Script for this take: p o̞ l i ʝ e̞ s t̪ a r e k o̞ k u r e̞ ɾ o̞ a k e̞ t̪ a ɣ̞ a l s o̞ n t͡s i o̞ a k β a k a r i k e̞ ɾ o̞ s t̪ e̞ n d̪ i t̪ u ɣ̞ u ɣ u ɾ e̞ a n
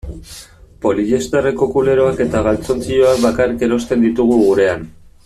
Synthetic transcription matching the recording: p o̞ l i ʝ e̞ s t̪ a r e k o̞ k u l e̞ ɾ o̞ a k e̞ t̪ a ɣ̞ a l t͡s o̞ n t͡s i o̞ a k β a k a r i k e̞ ɾ o̞ s t̪ e̞ n d̪ i t̪ u ɣ̞ u ɣ u ɾ e̞ a n